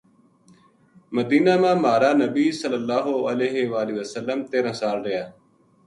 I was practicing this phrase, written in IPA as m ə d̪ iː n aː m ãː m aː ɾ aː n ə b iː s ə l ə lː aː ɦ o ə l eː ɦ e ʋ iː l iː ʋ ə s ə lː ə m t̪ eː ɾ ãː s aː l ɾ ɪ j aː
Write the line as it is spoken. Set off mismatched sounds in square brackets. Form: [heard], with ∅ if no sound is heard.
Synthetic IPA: m ə d̪ iː n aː m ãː m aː ɾ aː n ə b iː s ə l ə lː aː ɦ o ə l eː ɦ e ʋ [aː] l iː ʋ ə s ə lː ə m t̪ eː ɾ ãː s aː l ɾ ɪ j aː

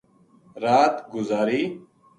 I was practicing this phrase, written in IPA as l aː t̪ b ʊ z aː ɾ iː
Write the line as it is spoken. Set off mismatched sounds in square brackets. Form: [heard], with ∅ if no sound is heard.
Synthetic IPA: [ɾ] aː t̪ [ɡ] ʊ z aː ɾ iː

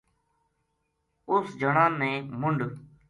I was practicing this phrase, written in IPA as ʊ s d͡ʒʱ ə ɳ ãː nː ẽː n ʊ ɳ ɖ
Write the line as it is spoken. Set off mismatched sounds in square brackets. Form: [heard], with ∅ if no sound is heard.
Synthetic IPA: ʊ s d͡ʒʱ ə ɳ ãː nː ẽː [m] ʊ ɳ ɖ

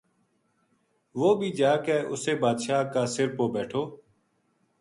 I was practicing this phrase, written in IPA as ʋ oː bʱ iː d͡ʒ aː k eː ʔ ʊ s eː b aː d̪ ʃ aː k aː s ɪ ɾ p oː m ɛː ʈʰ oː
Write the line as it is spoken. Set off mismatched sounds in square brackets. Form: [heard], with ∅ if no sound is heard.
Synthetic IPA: ʋ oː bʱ iː d͡ʒ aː k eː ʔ ʊ s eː b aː d̪ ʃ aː k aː s ɪ ɾ p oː [b] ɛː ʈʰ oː

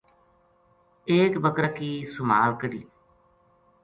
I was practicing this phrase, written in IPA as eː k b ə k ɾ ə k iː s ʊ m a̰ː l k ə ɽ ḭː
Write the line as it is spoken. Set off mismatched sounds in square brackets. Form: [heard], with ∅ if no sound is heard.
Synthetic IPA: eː k b ə k ɾ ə k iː s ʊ m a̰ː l k ə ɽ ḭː

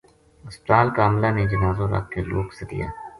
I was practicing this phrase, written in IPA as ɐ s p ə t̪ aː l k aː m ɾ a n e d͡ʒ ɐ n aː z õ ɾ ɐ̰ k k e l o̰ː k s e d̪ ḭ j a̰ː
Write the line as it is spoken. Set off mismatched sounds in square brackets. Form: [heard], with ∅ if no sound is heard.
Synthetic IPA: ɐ s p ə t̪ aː l k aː m [l] a n e d͡ʒ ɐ n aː z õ ɾ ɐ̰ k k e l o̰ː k s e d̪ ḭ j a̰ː

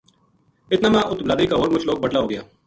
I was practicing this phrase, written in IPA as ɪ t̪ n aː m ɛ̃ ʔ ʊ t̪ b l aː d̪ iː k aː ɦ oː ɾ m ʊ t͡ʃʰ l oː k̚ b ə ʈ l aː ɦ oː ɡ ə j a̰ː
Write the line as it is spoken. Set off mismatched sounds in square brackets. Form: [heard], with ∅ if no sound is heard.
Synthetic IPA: ɪ t̪ n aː m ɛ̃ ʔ ʊ t̪ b l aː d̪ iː k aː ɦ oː ɾ m ʊ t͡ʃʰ l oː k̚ b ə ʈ l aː ɦ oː ɡ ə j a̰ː

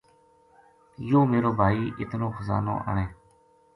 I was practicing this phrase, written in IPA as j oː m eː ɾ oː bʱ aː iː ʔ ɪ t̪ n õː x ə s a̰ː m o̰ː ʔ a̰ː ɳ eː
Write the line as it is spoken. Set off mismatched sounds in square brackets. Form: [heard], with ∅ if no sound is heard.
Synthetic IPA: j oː m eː ɾ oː bʱ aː iː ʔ ɪ t̪ n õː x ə [z] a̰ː [n] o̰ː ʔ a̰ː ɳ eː

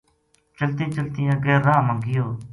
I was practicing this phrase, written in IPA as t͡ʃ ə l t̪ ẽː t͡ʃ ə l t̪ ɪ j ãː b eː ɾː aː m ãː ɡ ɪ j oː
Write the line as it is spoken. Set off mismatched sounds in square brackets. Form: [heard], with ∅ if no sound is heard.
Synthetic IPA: t͡ʃ ə l t̪ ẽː t͡ʃ ə l t̪ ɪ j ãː [ɡ] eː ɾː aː m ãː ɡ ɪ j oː

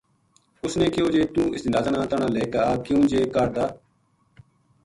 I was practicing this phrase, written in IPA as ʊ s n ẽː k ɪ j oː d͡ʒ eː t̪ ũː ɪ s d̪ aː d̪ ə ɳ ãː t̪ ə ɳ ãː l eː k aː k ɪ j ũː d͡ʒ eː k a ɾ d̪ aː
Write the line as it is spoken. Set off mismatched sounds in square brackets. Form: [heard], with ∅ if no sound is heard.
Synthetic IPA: ʊ s n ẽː k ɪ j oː d͡ʒ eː t̪ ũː ɪ s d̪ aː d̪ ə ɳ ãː t̪ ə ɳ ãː l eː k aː k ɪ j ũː d͡ʒ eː k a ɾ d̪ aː

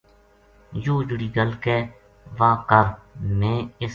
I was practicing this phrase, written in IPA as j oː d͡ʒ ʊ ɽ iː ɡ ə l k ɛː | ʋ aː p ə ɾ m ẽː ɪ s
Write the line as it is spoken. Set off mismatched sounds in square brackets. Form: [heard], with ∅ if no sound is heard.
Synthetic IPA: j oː d͡ʒ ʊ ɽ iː ɡ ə l k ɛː | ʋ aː [k] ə ɾ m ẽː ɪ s

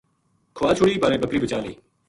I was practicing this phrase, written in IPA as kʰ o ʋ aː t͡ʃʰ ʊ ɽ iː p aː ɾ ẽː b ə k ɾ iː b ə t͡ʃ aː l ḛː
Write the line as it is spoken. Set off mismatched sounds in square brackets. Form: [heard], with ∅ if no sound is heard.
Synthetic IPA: kʰ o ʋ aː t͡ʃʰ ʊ ɽ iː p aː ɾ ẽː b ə k ɾ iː b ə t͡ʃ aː l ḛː

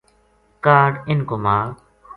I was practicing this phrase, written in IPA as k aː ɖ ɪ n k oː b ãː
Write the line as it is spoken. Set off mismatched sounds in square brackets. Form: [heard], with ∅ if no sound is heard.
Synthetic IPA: k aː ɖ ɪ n k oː [m] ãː

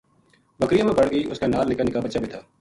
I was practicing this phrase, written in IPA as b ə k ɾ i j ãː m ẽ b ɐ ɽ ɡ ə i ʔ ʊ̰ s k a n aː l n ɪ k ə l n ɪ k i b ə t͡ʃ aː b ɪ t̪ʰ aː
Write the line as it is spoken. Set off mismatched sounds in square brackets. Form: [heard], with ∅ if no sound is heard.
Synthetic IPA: b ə k ɾ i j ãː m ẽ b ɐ ɽ ɡ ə i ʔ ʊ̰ s k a n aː l n ɪ k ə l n ɪ k [a] b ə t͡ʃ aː b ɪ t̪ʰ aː

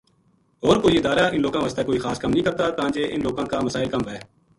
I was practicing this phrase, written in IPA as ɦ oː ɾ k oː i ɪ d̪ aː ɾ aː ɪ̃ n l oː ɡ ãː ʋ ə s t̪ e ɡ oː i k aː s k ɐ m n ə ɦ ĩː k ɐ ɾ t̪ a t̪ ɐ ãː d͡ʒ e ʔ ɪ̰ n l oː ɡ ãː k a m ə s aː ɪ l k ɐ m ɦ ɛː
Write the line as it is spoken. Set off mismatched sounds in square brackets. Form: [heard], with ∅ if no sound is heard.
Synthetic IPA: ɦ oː ɾ k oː i ɪ d̪ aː ɾ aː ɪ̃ n l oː ɡ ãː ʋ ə s t̪ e [k] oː i [x] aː s k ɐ m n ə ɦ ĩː k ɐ ɾ t̪ a t̪ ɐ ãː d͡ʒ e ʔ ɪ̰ n l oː ɡ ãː k a m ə s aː ɪ l k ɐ m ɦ ɛː

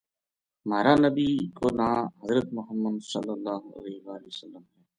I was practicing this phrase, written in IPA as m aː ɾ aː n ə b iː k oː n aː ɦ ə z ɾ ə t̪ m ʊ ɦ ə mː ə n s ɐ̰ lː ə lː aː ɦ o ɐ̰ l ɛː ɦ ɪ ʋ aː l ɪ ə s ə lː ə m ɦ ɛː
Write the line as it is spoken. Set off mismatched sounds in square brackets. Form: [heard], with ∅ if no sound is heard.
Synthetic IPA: m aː ɾ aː n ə b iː k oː n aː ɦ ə z ɾ ə t̪ m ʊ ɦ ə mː ə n s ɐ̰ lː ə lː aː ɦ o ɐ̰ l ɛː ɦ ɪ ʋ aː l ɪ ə s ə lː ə m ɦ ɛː

